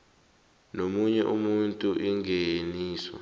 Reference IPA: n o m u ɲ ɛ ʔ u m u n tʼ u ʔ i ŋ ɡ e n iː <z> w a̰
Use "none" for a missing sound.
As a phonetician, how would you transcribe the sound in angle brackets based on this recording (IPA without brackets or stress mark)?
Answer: s